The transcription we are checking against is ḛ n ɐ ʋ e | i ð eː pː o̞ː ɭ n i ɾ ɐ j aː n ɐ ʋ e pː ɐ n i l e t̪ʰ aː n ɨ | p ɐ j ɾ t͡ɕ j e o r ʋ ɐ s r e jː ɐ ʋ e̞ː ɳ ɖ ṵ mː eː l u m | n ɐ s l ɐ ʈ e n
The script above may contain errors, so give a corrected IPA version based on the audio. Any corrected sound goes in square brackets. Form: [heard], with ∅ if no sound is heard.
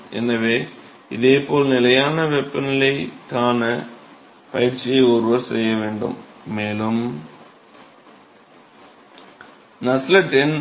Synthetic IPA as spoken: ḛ [nː] ɐ ʋ e | i ð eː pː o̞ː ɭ n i [l] ɐ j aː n ɐ ʋ e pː ɐ n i l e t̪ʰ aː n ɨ | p ɐ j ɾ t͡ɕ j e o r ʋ ɐ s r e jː ɐ ʋ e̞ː ɳ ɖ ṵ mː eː l u m | n ɐ s l ɐ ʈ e n